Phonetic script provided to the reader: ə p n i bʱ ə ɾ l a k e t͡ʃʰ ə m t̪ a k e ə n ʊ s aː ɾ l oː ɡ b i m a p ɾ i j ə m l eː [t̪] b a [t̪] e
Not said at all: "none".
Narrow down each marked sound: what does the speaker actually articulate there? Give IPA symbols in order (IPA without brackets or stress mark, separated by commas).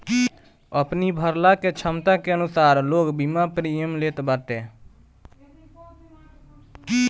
t̪, t̪